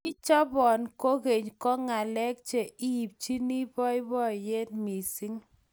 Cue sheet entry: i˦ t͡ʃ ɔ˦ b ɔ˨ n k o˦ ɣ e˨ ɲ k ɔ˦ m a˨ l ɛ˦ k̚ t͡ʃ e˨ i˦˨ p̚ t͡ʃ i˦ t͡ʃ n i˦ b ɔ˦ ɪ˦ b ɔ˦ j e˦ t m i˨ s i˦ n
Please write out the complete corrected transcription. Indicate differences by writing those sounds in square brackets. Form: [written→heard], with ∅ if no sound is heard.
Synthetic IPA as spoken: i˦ t͡ʃ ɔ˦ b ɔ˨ n k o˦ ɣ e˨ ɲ k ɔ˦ [m→ŋ] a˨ l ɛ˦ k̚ t͡ʃ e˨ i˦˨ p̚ t͡ʃ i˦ [t͡ʃ→∅] n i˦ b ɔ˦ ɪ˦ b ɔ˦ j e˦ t m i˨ s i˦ [n→ŋ]